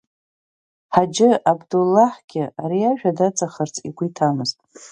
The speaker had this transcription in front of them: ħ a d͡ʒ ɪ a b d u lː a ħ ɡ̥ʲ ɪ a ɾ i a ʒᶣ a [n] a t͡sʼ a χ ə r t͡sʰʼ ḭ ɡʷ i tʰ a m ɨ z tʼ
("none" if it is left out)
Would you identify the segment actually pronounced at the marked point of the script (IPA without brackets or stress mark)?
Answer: d